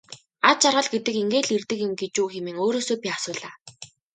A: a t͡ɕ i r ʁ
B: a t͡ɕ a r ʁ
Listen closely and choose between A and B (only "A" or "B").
B